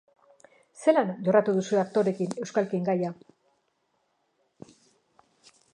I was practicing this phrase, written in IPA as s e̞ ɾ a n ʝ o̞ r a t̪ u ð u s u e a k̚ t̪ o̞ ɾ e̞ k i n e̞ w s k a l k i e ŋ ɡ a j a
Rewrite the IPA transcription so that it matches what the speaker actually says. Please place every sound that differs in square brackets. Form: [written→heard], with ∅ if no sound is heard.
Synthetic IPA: s e̞ [ɾ→l] a n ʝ o̞ r a t̪ u ð u s u e a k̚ t̪ o̞ ɾ e̞ k i n e̞ w s k a l k i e ŋ ɡ a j a